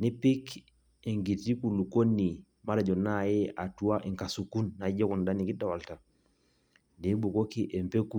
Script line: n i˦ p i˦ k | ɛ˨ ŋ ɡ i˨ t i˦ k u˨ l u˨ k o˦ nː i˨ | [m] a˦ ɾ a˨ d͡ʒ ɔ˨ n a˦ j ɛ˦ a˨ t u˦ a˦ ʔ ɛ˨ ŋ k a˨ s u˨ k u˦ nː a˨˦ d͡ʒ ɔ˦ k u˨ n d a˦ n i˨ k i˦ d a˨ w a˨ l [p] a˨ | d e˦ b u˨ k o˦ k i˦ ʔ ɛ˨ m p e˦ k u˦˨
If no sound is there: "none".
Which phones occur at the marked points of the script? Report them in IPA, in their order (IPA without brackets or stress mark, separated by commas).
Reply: m, t